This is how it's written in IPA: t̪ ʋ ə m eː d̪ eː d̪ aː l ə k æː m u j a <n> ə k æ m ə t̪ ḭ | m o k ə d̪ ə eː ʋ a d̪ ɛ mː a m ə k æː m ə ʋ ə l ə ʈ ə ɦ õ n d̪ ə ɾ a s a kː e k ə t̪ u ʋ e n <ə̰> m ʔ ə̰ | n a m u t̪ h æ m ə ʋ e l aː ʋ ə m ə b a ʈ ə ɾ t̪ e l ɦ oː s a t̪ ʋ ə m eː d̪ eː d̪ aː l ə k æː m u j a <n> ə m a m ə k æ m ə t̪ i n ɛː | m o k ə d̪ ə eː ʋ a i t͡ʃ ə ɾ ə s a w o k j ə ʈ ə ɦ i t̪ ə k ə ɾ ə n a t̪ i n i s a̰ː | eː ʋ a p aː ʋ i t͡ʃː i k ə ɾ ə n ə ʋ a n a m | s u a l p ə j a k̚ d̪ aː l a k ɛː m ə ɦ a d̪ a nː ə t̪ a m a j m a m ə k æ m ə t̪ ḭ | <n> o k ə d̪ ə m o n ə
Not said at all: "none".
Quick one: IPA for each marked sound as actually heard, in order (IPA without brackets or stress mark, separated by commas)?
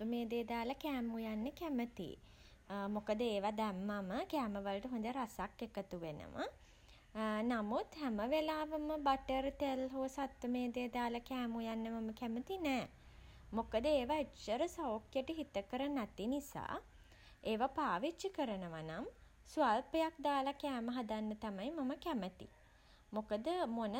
nː, ə̰, nː, m